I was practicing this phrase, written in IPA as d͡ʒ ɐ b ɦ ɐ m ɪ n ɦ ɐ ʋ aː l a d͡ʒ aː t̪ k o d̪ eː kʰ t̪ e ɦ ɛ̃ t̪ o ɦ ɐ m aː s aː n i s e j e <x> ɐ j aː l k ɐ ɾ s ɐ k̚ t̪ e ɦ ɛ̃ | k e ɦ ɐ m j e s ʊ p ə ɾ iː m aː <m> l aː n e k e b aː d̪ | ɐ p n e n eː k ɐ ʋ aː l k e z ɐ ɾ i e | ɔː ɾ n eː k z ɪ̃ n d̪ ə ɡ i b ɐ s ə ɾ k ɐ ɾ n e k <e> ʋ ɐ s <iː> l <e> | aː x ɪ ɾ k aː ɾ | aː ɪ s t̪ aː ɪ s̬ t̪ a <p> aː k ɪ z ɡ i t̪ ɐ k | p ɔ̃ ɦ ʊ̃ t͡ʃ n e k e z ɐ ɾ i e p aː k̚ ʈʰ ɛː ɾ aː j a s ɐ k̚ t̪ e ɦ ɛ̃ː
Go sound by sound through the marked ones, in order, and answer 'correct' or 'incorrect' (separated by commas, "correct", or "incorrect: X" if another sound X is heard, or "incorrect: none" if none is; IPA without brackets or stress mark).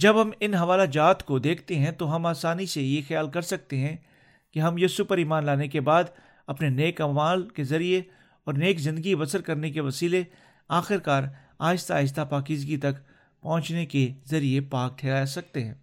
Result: correct, incorrect: n, correct, correct, correct, correct